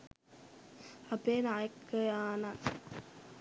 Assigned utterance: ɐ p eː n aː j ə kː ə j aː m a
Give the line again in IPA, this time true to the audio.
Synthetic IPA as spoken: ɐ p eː n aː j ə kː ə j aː n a